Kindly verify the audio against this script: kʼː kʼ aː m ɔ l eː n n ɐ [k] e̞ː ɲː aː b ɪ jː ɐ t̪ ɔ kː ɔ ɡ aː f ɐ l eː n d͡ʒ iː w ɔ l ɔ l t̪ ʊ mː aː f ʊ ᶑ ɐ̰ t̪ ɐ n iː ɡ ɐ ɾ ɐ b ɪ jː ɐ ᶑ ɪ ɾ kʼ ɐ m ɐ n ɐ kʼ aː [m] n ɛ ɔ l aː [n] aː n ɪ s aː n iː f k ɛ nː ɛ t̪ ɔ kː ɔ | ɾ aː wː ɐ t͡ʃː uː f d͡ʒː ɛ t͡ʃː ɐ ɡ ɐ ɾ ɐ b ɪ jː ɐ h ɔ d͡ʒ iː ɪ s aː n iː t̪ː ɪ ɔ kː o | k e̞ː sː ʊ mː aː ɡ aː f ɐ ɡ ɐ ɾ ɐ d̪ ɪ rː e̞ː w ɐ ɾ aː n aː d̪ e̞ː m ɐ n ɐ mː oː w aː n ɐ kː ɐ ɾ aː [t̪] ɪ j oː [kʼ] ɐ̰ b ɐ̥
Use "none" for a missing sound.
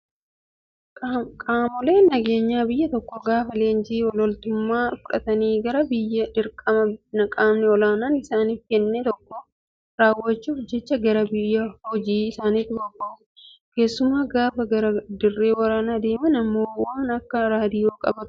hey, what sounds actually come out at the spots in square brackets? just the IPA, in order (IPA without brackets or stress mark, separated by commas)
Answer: ɡ, m, n, d̪, kʼ